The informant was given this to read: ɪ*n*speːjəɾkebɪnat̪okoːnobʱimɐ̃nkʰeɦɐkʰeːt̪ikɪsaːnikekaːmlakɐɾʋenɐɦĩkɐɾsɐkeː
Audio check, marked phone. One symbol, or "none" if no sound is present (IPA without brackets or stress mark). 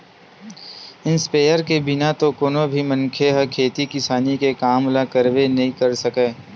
n